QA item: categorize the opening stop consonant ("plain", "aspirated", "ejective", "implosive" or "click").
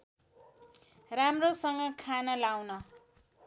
plain